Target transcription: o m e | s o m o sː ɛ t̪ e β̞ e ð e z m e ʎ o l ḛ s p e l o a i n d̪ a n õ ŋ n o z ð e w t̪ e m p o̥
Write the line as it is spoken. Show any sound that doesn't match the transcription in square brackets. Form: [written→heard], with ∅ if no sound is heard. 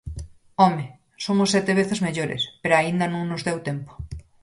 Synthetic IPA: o m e | s o m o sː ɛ t̪ e β̞ e [ð→θ] e z m e ʎ o [l→ɾ] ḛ s p e [l→ɾ] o a i n d̪ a n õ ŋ n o z ð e w t̪ e m p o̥

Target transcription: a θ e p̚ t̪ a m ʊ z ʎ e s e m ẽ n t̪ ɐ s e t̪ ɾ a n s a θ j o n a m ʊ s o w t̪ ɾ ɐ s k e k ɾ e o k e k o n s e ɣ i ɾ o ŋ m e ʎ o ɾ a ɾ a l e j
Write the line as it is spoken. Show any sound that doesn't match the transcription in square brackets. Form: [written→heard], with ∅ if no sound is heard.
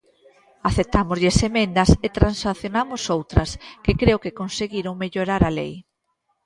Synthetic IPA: a θ e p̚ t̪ a m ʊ z ʎ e s e m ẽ n [t̪→d̪] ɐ s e t̪ ɾ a n s a θ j o n a m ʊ s o w t̪ ɾ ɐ s k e k ɾ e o k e k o n s e ɣ i ɾ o ŋ m e ʎ o ɾ a ɾ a l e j

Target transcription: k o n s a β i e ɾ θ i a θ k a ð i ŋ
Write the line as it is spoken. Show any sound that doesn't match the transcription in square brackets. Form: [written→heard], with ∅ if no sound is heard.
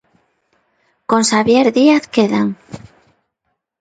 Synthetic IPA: k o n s a β [i→j] e ɾ [θ→ð] i a θ k [a→e] ð [i→a] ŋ

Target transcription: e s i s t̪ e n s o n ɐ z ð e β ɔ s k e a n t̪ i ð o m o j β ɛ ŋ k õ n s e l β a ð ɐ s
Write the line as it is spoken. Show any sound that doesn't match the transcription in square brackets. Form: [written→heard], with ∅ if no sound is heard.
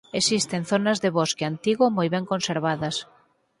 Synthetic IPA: e s i s t̪ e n [s→θ] o n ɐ z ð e β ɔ s k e a n t̪ i [ð→ɣ] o m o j β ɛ ŋ k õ n s e [l→ɾ] β a ð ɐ s

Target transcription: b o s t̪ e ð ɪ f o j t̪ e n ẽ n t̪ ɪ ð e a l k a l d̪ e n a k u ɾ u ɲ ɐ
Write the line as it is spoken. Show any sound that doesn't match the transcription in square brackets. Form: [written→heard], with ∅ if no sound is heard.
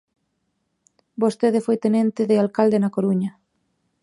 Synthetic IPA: b o s t̪ e ð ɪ f o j t̪ e n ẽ n t̪ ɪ ð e a l k a l d̪ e n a k [u→o] ɾ u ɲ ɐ

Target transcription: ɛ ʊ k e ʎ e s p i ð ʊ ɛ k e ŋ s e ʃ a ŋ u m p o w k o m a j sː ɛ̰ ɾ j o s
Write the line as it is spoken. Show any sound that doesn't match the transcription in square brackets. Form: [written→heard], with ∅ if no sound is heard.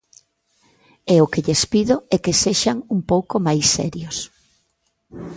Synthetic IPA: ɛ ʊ k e ʎ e s p i ð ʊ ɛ k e [ŋ→∅] s e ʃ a ŋ u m p o w k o m a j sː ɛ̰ ɾ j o s

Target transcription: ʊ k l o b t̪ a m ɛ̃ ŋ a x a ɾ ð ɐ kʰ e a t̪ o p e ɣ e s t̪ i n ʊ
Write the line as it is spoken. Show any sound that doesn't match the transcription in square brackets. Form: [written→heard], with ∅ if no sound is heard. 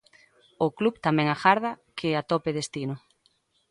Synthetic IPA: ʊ k l [o→u] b t̪ a m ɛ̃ ŋ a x a ɾ ð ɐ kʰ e a t̪ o p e [ɣ→ð] e s t̪ i n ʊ

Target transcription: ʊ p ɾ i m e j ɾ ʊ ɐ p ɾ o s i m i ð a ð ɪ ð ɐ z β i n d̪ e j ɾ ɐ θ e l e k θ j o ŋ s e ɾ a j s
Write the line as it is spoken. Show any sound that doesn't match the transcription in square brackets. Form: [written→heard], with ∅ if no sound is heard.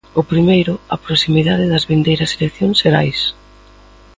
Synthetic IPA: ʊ p ɾ i m e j ɾ ʊ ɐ p ɾ o s i m i ð a ð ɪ ð ɐ z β i n d̪ e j ɾ ɐ [θ→s] e l e k θ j o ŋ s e ɾ a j s

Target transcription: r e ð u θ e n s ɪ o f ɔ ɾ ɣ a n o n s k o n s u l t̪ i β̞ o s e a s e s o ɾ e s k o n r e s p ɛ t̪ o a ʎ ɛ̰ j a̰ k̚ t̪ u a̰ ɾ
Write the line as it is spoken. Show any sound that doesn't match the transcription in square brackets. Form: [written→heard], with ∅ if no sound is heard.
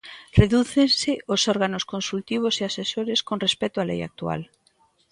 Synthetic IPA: r e ð u θ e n s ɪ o [f→s] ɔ ɾ ɣ a n o [n→∅] s k o n s u l t̪ i β̞ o s e a s e s o ɾ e s k o n r e s p ɛ t̪ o a [ʎ→l] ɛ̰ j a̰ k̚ t̪ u a̰ [ɾ→l]

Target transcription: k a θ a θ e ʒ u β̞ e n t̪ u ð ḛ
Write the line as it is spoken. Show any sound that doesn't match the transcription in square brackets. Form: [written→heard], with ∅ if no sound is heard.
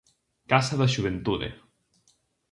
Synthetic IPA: k a [θ→s] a [θ→ð] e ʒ u β̞ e n t̪ u ð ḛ

